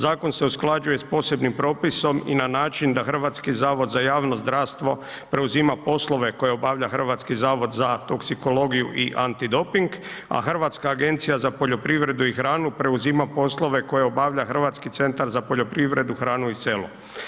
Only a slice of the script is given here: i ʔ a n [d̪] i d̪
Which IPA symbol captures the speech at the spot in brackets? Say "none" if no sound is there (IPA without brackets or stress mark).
t̪